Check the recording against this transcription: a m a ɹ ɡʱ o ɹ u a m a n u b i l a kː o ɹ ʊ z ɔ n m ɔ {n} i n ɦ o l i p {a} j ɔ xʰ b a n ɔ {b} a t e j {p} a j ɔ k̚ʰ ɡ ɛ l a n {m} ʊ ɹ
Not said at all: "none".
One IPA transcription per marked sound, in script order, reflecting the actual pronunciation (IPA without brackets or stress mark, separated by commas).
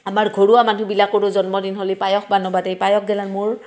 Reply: d, a, b, p, m